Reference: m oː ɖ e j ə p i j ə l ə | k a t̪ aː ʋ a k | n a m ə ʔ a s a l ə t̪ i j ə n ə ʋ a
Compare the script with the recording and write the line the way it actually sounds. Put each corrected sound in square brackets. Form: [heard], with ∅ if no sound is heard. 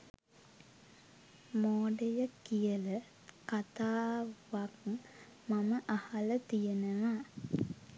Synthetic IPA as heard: m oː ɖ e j ə [k] i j ə l ə | k a t̪ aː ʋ a k | [m] a m ə ʔ a [h] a l ə t̪ i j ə n ə ʋ a